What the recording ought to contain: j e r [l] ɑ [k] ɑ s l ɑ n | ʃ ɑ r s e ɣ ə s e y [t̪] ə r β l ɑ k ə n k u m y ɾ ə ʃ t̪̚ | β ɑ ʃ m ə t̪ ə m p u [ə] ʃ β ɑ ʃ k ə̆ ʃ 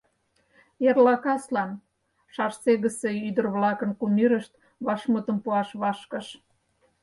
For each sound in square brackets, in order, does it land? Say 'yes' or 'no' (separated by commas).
yes, yes, no, no